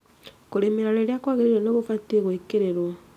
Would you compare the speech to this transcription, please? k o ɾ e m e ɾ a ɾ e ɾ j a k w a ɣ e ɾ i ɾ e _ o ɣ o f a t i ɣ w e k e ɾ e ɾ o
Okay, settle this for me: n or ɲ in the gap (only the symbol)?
n